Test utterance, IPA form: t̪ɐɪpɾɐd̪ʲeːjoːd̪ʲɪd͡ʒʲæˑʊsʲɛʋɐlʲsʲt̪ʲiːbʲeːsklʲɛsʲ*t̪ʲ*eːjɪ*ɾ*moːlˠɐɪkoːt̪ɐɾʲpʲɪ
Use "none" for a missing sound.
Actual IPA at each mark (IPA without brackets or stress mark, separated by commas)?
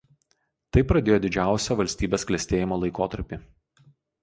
t̪ʲ, none